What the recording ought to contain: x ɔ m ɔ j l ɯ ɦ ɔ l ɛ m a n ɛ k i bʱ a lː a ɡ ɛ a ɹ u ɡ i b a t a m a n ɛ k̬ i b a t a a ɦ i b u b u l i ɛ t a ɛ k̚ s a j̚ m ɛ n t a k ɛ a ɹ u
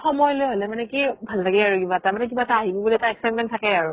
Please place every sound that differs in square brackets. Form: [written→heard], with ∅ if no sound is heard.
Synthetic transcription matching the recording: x ɔ m ɔ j l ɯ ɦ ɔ l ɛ m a n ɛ k i bʱ a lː a ɡ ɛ a ɹ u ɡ i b a t a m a n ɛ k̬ i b a t a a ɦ i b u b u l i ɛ t a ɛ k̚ s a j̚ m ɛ n [t→tʰ] a k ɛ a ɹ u